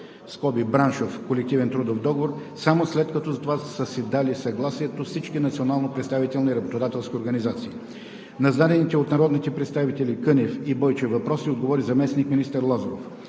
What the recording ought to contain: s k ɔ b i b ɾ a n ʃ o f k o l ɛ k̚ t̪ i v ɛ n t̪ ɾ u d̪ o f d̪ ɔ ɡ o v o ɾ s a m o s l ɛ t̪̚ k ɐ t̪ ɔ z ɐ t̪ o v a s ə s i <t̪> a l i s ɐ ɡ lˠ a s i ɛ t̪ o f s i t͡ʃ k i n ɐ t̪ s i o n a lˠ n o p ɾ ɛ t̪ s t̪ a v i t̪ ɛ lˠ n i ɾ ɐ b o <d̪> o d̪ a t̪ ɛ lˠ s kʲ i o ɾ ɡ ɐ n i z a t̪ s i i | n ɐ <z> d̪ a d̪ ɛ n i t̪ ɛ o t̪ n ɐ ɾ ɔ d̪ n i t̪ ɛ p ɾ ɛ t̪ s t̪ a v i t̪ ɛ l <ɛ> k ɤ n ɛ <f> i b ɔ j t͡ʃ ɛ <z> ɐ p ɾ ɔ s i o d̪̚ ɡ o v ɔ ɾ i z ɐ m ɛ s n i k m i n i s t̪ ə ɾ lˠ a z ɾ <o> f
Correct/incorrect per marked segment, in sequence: incorrect: d̪, incorrect: t̪, correct, incorrect: i, correct, incorrect: v, correct

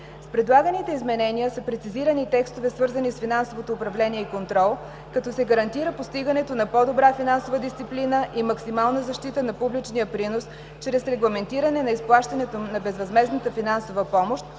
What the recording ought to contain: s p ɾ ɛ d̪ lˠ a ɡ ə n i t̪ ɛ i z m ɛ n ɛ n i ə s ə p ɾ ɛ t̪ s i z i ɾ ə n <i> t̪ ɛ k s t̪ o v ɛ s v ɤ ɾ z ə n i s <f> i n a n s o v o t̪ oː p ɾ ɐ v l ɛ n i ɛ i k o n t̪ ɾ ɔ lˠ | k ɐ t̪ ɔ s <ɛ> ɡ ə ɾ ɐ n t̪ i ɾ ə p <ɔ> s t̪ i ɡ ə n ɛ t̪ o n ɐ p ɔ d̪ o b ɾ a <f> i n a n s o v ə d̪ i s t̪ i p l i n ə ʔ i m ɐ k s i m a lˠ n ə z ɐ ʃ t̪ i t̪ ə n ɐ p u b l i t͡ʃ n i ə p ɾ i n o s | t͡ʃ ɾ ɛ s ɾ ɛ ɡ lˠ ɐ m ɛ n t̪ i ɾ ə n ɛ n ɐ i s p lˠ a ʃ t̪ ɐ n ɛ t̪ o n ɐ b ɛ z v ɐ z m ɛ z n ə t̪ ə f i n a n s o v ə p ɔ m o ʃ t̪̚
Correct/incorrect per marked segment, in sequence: correct, correct, correct, incorrect: o, correct

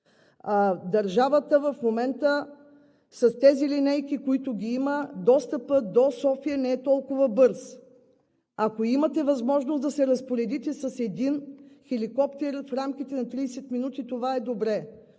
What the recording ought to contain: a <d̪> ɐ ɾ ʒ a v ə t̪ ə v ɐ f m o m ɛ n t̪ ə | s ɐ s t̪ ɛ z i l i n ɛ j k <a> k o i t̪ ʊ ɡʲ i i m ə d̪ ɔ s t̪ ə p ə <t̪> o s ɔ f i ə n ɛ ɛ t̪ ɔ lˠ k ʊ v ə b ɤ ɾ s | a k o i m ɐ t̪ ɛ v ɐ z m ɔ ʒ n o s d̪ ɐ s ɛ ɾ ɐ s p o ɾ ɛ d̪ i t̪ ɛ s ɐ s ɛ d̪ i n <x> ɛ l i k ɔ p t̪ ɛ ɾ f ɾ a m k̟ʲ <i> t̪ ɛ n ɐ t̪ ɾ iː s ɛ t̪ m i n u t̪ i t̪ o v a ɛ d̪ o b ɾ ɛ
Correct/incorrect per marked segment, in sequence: correct, incorrect: i, incorrect: d̪, correct, correct

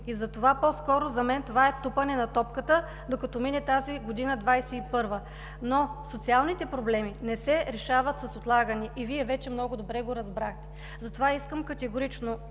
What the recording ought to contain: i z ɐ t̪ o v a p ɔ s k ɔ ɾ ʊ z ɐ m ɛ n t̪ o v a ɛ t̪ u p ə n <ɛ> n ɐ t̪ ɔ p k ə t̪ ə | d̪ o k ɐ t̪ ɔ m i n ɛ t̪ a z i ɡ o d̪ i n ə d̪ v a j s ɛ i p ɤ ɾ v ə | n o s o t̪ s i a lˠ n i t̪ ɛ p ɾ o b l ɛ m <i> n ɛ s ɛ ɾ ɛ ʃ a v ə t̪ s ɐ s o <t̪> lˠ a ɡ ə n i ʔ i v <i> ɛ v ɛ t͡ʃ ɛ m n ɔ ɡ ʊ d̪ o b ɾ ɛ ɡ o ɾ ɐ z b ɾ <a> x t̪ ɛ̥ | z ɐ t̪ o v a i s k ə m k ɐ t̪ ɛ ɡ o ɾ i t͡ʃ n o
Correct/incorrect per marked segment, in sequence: correct, correct, correct, correct, correct

